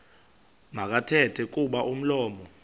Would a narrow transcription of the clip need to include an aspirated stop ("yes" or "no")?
yes